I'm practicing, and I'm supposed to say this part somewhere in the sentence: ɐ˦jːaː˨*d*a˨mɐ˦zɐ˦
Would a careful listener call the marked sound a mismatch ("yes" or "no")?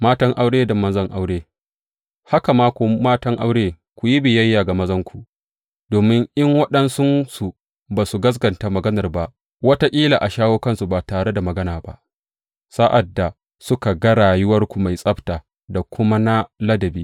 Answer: yes